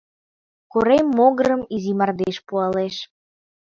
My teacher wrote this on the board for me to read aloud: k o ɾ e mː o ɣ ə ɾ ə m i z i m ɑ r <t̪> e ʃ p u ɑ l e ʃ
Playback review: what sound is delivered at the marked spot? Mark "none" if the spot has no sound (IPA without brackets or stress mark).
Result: d̪